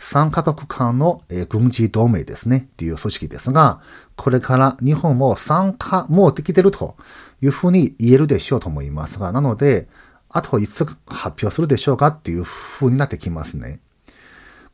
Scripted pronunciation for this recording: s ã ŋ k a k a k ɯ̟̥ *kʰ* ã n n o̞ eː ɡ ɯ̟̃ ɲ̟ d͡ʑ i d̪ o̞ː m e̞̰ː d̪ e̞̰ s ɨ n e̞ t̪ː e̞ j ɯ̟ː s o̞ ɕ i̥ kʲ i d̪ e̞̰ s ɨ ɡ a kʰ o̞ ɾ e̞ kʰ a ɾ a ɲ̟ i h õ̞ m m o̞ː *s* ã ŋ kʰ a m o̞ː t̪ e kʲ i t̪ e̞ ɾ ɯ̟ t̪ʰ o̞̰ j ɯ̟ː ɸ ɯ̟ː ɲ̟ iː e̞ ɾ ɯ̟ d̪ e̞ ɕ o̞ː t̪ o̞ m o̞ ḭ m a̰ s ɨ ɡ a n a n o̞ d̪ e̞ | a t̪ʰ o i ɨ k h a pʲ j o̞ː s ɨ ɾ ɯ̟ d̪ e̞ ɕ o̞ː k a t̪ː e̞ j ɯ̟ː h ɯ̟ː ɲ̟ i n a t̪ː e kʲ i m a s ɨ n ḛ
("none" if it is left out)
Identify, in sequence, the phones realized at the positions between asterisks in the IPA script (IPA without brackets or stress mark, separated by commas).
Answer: kʰ, s